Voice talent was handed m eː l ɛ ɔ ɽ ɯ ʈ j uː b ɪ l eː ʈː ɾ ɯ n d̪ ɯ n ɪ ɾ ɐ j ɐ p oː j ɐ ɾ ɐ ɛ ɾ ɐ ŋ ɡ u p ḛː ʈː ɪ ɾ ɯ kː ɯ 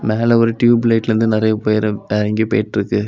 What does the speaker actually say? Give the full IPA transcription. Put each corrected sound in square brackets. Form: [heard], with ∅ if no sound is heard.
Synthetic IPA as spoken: m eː l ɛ ɔ [ɾ] ɯ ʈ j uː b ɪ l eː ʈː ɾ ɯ n d̪ ɯ n ɪ ɾ ɐ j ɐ p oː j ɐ ɾ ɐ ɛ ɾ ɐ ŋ ɡ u p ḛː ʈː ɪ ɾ ɯ kː ɯ